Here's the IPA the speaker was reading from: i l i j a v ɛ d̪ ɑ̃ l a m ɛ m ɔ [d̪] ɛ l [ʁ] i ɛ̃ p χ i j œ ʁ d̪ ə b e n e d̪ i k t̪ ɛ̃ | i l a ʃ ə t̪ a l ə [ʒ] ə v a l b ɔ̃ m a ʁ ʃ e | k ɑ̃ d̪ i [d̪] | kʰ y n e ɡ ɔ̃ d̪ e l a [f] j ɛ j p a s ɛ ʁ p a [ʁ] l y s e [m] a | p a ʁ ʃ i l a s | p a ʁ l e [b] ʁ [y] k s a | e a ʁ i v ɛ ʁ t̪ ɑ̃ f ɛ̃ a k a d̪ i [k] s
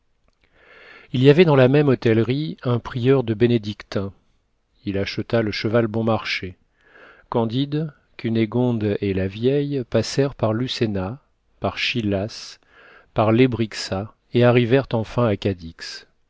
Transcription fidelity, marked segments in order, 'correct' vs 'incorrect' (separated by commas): incorrect, correct, incorrect, correct, incorrect, correct, incorrect, correct, incorrect, correct